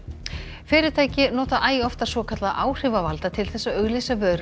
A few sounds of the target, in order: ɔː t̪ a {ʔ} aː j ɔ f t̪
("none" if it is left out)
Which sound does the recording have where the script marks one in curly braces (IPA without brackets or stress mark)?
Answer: ʔ